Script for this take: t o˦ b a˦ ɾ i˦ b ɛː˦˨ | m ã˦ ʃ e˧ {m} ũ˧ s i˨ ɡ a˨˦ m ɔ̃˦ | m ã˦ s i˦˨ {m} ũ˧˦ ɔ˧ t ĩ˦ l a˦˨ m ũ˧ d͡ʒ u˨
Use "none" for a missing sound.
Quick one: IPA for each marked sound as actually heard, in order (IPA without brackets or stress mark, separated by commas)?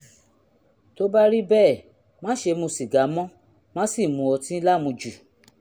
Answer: m, m